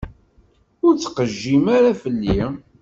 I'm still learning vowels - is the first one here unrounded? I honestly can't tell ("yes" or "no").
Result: no